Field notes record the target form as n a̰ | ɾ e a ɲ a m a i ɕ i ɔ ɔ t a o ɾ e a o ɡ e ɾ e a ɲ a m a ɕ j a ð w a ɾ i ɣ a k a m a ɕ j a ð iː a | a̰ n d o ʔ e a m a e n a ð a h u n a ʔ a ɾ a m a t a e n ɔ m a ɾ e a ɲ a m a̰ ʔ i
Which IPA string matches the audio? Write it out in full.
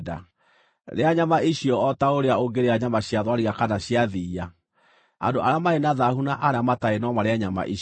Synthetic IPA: d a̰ | ɾ e a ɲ a m a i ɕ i ɔ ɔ t a o ɾ e a o ɡ e ɾ e a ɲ a m a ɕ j a ð w a ɾ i ɣ a k a n a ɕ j a ð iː a | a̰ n d o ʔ a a m a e n a ð a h u n a ʔ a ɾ a m a t a e n ɔ m a ɾ e a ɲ a m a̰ ʔ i